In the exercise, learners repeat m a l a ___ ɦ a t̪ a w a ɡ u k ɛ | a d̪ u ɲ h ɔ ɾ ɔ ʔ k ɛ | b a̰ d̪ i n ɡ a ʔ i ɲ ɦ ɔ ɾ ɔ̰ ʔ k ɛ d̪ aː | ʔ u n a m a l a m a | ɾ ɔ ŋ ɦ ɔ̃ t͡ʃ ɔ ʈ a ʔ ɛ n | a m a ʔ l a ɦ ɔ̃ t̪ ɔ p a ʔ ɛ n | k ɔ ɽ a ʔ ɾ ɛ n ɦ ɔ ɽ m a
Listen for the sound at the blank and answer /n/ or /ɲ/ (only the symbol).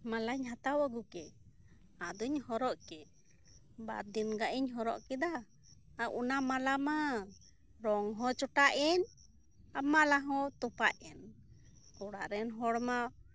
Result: ɲ